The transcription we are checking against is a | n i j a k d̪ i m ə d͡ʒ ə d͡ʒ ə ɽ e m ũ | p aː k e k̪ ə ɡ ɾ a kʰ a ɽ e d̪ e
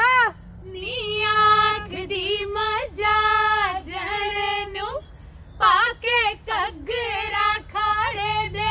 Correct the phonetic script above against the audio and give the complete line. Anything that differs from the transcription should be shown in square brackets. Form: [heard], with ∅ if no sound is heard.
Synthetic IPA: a | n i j a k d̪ i m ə d͡ʒ [a] d͡ʒ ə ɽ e [n] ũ | p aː k e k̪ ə ɡ ɾ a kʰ a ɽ e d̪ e